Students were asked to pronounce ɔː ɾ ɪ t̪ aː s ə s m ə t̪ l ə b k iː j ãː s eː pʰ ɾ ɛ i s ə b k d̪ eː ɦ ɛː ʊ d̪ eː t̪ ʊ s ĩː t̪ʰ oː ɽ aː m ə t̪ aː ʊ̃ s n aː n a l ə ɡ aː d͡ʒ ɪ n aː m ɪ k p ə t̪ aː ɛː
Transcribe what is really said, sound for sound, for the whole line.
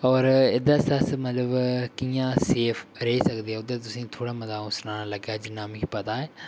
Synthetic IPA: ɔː ɾ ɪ d̪ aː s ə s m ə t̪ l ə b k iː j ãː s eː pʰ ɾ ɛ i s ə k d̪ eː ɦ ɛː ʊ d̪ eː t̪ ʊ s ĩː t̪ʰ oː ɽ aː m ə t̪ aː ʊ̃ s n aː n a l ə ɡ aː d͡ʒ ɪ n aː m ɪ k p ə t̪ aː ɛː